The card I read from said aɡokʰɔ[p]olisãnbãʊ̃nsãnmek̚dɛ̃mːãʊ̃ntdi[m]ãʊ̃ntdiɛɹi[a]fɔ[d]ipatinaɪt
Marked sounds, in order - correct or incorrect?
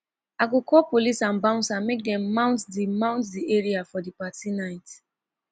correct, correct, correct, correct

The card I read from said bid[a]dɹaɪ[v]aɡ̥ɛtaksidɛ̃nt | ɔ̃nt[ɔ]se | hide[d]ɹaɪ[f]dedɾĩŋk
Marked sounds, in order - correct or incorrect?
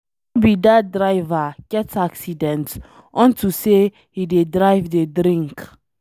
correct, correct, incorrect, correct, incorrect

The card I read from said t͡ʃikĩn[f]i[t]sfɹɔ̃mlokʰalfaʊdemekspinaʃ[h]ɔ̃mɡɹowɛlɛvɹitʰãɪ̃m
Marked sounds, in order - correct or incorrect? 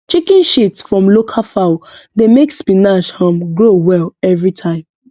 incorrect, correct, correct

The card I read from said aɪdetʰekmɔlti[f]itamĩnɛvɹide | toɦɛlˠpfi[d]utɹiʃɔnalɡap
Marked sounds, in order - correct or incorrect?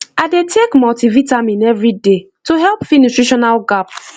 incorrect, incorrect

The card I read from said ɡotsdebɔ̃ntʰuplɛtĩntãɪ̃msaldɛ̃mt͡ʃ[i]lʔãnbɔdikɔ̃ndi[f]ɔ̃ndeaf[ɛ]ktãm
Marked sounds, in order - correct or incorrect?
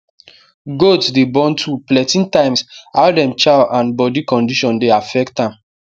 incorrect, incorrect, correct

